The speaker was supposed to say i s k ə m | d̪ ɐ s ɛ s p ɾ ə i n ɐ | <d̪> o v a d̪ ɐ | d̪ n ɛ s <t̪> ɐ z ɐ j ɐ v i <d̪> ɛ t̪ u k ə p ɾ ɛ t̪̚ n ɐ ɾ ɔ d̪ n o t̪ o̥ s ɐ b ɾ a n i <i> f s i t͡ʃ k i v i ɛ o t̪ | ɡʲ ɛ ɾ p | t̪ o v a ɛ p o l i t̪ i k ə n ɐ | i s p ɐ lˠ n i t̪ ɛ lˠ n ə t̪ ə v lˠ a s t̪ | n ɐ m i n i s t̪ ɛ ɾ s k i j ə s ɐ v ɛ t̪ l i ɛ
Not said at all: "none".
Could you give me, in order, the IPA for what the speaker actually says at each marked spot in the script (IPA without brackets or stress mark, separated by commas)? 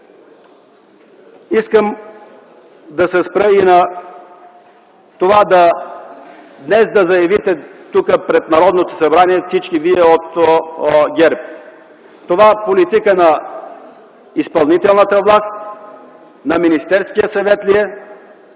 t̪, d̪, t̪, ɛ